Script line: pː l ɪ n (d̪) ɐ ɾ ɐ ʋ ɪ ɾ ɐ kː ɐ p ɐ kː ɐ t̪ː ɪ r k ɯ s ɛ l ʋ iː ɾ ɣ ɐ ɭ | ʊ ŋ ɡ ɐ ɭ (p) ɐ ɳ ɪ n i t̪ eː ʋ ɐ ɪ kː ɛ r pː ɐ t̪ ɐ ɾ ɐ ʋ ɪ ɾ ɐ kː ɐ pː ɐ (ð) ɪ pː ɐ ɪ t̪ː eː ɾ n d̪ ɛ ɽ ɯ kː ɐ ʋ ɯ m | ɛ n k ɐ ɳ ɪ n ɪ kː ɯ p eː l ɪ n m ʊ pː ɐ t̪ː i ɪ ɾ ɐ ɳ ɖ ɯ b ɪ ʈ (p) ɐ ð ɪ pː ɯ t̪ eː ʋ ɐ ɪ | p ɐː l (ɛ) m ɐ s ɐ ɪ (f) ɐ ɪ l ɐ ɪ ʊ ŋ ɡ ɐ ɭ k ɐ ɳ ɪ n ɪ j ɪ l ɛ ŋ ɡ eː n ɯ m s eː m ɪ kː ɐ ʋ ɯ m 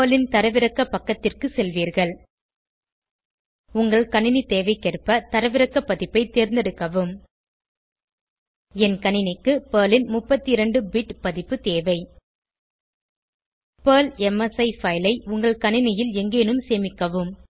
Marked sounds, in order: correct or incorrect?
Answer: incorrect, incorrect, correct, correct, correct, correct

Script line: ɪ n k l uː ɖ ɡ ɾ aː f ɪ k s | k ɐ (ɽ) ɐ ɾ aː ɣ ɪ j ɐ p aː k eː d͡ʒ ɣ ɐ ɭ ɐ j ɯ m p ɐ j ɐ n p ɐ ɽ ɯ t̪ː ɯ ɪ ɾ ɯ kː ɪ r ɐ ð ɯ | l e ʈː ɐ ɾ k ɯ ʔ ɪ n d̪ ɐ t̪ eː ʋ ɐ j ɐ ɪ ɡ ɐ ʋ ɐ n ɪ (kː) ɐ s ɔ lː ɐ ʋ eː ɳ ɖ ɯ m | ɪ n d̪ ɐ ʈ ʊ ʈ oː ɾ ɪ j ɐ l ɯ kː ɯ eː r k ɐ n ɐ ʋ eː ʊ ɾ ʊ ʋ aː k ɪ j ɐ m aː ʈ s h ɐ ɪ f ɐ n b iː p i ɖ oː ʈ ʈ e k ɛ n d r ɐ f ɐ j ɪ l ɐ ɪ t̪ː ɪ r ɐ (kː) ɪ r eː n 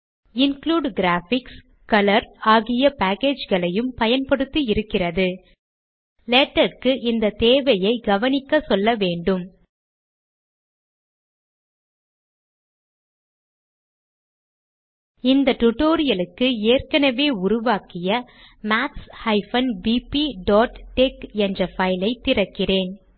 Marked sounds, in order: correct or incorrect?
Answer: incorrect, correct, correct

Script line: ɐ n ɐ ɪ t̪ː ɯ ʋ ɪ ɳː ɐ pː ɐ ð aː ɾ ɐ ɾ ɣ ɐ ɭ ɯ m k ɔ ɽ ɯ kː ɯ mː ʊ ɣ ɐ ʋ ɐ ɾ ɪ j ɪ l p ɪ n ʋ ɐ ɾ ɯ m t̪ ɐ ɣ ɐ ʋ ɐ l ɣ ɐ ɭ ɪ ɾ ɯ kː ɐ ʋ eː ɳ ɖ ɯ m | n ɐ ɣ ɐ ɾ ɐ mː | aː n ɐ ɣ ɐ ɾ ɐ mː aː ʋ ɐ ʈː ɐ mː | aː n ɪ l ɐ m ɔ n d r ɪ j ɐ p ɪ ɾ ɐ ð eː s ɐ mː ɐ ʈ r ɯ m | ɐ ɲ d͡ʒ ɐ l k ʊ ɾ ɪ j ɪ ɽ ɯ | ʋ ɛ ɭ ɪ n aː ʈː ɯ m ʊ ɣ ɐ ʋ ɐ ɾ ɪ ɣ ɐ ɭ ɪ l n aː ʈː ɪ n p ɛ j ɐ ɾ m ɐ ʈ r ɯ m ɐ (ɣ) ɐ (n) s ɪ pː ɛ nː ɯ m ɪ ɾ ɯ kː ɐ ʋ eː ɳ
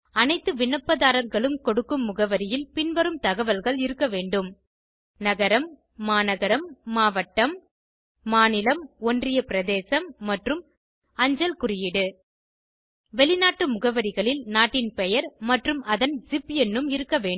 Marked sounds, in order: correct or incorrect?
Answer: incorrect, correct

